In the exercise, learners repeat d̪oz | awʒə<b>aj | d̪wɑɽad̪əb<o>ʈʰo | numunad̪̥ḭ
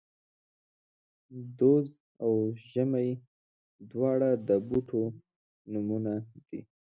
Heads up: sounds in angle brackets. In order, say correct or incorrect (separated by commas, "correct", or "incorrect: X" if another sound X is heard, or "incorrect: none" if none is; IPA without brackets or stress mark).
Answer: incorrect: m, incorrect: u